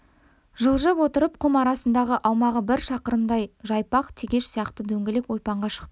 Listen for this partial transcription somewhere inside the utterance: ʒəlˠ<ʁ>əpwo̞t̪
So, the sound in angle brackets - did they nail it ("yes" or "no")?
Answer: no